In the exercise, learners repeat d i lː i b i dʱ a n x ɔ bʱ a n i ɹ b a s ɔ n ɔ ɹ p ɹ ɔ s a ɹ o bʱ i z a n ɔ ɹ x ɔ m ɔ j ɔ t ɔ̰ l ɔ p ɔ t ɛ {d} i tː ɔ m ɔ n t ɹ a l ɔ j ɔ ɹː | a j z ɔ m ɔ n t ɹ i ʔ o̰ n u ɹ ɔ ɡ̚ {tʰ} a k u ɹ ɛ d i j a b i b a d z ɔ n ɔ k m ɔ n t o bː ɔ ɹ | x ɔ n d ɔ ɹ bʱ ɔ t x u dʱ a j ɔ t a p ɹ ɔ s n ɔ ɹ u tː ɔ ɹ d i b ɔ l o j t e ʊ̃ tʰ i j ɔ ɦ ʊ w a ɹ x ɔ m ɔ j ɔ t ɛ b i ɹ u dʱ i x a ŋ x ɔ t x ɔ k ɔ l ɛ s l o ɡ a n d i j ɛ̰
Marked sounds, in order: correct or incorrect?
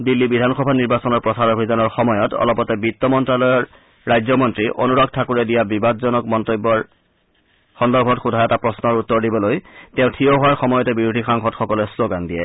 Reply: incorrect: b, correct

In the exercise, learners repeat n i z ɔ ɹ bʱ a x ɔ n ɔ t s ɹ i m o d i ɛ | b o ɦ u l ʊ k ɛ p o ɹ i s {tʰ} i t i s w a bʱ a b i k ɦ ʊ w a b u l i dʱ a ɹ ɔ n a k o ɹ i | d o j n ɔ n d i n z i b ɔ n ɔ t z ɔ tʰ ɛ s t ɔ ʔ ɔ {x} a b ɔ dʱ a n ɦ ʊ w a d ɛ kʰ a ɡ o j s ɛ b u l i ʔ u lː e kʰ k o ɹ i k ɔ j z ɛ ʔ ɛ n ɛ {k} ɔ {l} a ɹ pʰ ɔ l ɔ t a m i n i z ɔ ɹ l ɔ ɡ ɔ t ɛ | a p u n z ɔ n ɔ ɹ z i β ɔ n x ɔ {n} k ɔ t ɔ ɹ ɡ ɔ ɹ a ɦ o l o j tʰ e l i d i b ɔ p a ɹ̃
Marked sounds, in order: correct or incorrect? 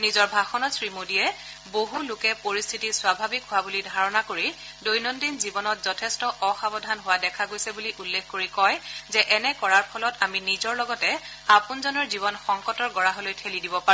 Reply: correct, correct, correct, incorrect: ɹ, incorrect: ŋ

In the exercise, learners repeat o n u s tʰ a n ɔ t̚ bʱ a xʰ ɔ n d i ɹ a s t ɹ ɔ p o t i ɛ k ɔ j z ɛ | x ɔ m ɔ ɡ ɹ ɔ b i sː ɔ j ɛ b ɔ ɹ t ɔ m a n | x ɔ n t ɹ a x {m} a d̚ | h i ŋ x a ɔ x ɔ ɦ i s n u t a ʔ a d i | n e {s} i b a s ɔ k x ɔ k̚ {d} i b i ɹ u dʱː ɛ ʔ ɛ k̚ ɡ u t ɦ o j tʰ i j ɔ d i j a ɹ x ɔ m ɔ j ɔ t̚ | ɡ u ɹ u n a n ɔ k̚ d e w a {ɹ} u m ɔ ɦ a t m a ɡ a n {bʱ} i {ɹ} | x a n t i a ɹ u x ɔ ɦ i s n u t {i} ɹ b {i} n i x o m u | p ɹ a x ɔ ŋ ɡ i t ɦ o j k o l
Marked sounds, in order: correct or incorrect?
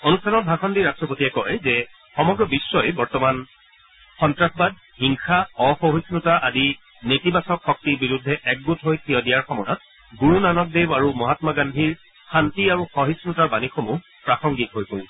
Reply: incorrect: b, incorrect: t, incorrect: t, correct, incorrect: dʱ, correct, incorrect: a, incorrect: a

